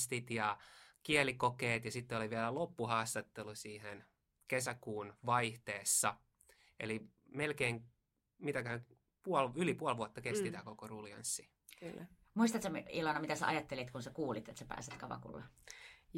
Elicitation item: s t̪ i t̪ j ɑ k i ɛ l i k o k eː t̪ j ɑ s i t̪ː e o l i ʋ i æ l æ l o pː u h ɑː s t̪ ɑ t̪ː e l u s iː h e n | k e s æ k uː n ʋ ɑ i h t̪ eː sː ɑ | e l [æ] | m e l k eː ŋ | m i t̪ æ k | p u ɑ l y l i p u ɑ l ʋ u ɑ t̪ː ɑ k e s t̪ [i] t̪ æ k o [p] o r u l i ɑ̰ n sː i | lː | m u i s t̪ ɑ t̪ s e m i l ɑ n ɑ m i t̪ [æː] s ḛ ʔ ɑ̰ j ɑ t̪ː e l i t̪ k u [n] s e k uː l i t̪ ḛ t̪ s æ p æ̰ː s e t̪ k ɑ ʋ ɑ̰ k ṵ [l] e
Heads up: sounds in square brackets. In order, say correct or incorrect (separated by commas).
incorrect, correct, incorrect, incorrect, correct, incorrect